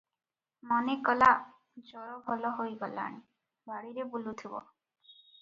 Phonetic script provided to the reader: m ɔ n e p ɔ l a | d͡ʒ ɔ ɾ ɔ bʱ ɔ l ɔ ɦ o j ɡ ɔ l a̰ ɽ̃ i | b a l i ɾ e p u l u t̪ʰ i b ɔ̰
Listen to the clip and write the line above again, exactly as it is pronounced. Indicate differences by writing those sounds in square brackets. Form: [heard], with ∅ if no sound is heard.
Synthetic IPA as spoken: m ɔ n e [k] ɔ l a | d͡ʒ ɔ ɾ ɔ bʱ ɔ l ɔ ɦ o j ɡ ɔ l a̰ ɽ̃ i | b a [ɽ] i ɾ e [b] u l u t̪ʰ i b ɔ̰